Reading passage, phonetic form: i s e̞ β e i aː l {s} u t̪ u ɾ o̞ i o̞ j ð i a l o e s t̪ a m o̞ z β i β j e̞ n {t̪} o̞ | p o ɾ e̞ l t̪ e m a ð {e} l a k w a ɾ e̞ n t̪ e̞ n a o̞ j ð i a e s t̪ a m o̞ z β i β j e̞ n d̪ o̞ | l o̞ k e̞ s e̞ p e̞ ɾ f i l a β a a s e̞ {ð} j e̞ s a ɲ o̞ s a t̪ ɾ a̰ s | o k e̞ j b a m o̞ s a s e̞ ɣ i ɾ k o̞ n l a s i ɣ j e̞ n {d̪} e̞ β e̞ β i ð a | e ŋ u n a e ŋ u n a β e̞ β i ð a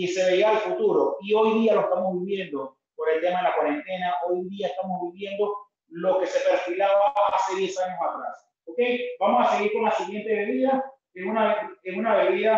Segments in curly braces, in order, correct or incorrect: incorrect: f, incorrect: d̪, correct, correct, incorrect: t̪

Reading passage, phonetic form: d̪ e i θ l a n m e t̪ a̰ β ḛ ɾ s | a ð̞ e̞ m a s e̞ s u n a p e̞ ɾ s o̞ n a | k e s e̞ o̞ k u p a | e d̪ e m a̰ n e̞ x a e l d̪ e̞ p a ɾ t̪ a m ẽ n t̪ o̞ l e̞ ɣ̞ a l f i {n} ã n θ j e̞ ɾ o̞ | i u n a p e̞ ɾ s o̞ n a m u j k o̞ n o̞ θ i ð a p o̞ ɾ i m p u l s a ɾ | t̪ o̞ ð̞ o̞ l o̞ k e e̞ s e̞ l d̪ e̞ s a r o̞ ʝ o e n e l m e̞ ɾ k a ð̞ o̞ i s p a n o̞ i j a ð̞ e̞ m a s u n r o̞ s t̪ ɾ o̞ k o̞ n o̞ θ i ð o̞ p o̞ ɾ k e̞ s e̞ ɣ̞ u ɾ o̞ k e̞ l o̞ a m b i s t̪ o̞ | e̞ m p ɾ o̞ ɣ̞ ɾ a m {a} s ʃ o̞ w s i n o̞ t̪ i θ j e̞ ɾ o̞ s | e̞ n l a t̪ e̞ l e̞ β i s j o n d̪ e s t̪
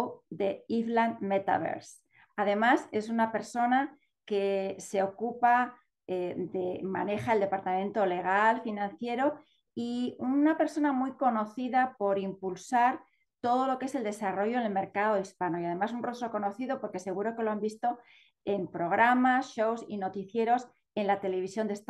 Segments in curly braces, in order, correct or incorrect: correct, correct

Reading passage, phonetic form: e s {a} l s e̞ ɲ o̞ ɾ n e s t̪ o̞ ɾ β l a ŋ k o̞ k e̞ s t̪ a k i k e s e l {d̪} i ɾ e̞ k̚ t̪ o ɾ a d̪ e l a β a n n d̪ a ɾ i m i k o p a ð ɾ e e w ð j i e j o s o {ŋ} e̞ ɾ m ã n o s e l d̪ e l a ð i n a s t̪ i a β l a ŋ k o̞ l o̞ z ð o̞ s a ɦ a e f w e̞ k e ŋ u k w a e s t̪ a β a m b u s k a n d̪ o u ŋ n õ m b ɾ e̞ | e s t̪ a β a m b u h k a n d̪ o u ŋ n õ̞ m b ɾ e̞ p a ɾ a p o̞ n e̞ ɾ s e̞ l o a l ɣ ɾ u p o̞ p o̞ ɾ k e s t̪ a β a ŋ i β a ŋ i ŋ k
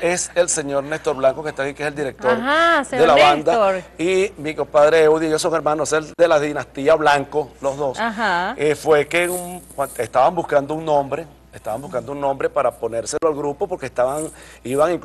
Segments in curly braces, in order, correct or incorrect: incorrect: e, correct, correct

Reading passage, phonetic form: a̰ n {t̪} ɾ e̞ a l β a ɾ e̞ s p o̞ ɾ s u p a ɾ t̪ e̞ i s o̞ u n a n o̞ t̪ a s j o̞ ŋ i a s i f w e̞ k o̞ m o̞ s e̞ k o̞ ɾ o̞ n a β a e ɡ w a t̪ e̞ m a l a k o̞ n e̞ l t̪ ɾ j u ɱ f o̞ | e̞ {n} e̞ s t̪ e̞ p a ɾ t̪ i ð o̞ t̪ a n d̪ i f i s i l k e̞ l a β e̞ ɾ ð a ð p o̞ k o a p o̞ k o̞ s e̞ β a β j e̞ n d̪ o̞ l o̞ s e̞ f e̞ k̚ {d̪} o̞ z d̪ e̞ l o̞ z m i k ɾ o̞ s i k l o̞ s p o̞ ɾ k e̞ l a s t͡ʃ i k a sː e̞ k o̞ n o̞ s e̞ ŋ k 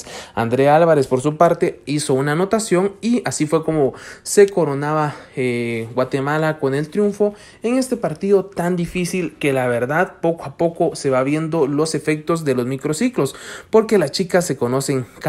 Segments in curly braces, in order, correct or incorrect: incorrect: d̪, incorrect: ŋ, incorrect: t̪

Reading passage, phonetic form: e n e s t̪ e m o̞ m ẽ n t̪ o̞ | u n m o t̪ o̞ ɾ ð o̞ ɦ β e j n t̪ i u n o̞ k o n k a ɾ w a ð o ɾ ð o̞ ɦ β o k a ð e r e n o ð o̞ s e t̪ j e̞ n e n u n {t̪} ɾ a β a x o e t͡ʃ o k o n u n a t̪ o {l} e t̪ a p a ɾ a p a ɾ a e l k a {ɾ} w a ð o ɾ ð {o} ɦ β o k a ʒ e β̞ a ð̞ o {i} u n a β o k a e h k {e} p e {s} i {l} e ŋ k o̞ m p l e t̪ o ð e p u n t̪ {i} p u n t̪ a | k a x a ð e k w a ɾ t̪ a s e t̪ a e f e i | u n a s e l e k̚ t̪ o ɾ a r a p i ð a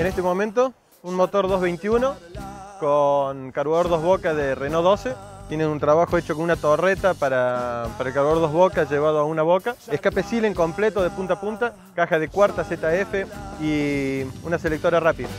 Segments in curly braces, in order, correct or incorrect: correct, incorrect: r, correct, correct, incorrect: a, incorrect: a, correct, correct, incorrect: a

